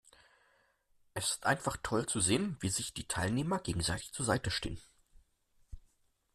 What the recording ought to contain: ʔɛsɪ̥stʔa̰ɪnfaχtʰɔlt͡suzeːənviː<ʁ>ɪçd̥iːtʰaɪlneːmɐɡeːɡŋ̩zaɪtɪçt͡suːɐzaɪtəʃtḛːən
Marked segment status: incorrect: z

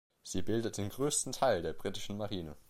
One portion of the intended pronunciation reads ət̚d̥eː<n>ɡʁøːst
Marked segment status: correct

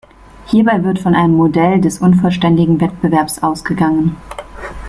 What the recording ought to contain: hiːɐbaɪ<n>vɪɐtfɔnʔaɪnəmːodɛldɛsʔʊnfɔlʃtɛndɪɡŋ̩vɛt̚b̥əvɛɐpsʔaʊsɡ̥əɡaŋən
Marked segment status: incorrect: none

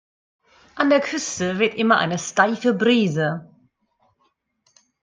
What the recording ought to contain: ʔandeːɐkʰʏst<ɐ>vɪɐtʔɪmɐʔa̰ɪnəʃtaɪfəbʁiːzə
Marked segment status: incorrect: ə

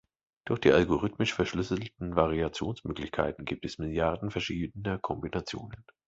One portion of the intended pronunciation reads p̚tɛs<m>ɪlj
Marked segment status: correct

